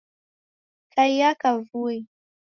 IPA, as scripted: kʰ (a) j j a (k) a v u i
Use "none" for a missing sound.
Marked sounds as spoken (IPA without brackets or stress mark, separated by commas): a, k